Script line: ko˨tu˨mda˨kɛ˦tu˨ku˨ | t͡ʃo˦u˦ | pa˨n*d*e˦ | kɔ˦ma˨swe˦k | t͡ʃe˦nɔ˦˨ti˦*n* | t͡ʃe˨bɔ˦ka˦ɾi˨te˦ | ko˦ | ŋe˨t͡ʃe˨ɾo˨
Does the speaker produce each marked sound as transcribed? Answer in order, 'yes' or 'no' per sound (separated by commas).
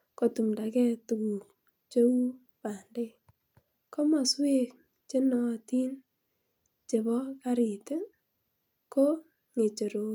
yes, yes